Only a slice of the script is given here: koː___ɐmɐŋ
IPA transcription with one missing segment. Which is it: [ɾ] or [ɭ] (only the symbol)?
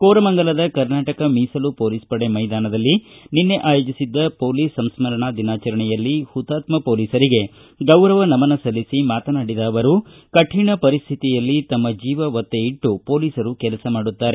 ɾ